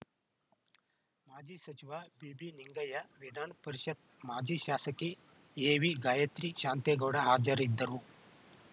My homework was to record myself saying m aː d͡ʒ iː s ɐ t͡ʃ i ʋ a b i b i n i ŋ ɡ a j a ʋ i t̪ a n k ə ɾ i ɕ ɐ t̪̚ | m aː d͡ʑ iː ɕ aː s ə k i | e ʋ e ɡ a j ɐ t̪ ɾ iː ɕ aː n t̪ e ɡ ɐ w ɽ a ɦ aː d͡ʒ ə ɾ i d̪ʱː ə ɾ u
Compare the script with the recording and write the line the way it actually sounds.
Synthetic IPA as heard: m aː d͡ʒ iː s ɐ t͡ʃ i ʋ a b i b i n i ŋ ɡ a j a ʋ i d̪ a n p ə ɾ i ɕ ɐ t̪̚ | m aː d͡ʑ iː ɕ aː s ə k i | e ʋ i ɡ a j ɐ t̪ ɾ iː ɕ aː n t̪ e ɡ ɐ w ɽ a ɦ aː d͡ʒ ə ɾ i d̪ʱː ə ɾ u